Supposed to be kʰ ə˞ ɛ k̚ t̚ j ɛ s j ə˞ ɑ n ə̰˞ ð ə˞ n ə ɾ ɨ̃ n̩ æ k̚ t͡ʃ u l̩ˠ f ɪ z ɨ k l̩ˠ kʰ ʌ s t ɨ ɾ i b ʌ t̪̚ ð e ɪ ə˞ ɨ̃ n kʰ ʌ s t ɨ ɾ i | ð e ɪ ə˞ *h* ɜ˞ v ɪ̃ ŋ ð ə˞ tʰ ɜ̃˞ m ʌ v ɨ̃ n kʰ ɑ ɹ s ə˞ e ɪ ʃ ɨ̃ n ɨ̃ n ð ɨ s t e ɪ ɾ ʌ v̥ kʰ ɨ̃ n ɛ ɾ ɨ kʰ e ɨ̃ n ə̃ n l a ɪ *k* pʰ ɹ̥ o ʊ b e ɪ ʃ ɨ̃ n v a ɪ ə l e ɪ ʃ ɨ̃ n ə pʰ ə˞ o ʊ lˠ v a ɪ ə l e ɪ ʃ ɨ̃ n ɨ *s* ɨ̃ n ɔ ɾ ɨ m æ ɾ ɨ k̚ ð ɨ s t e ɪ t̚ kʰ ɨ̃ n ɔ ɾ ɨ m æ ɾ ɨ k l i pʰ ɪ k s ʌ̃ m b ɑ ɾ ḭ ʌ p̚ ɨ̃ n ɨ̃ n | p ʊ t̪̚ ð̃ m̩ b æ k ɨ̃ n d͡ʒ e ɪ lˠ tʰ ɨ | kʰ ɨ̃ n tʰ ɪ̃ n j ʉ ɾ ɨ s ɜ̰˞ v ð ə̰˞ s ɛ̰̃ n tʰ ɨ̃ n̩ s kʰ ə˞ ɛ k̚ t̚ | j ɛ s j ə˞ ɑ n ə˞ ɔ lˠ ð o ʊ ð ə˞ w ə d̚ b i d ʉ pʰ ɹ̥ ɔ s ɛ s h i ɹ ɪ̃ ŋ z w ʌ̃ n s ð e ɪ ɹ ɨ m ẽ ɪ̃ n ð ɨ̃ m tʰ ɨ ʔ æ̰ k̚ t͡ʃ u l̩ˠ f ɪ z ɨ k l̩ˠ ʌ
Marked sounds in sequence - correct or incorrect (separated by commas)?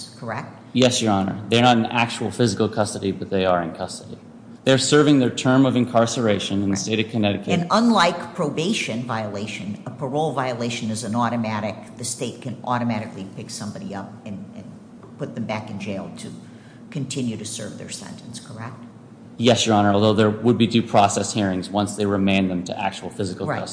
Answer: incorrect, correct, incorrect